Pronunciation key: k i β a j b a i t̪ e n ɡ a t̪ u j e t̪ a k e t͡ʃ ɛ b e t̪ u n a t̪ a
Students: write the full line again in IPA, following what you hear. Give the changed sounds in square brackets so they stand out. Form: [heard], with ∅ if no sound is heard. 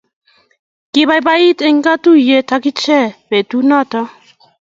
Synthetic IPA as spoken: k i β a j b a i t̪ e [ŋ] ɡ a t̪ u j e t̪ a k [i] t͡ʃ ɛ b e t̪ u n a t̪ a